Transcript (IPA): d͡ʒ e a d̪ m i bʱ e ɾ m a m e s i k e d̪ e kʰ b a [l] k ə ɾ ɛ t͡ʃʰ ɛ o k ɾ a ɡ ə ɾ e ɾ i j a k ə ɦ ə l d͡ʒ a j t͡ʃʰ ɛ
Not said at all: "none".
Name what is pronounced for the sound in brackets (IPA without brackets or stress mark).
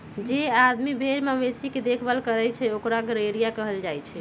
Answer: l